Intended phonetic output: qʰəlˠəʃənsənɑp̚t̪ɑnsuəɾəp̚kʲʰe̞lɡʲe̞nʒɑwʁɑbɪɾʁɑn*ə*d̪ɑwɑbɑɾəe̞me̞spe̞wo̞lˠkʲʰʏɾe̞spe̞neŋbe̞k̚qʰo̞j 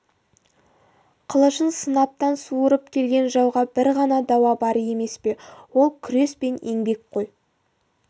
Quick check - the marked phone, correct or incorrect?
incorrect